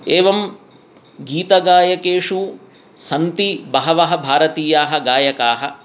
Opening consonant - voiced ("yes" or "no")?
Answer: yes